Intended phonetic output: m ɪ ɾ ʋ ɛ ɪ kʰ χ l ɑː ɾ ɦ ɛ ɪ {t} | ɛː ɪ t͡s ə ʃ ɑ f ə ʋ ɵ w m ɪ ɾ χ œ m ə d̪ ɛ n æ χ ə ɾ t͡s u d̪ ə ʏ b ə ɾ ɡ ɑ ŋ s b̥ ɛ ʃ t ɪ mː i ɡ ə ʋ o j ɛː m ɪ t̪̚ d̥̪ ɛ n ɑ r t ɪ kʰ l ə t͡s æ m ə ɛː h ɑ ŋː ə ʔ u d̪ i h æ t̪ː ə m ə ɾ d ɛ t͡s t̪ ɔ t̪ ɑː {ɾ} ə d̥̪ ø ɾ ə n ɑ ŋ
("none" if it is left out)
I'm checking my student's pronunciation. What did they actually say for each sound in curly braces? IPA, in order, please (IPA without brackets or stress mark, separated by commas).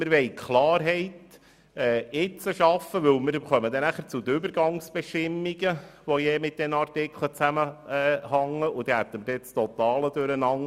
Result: t, l